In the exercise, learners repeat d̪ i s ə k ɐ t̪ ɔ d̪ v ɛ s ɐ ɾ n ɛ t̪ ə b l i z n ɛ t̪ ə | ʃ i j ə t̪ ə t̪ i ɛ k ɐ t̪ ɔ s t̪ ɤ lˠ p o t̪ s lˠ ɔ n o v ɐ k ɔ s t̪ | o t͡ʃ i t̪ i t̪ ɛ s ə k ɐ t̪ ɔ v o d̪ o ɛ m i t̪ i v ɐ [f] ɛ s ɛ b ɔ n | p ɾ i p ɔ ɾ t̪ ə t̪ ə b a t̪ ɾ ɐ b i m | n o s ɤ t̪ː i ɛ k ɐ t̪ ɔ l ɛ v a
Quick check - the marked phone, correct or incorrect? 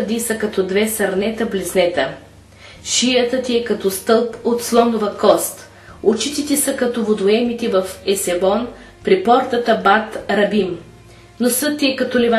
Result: correct